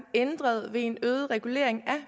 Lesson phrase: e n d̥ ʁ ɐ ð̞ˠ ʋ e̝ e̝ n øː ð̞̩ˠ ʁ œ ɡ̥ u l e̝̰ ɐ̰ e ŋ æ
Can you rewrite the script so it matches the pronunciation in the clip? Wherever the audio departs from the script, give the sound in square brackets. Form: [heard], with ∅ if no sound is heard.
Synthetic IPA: e n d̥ ʁ ɐ ð̞ˠ ʋ e̝ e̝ n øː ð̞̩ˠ ʁ [ɛ] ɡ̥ u l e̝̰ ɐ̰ e ŋ æ